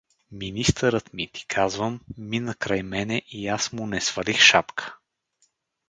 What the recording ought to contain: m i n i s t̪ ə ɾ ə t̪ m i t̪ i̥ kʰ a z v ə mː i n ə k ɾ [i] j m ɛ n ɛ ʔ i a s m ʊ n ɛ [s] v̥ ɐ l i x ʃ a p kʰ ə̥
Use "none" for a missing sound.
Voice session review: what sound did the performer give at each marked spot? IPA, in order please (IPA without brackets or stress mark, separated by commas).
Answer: a, s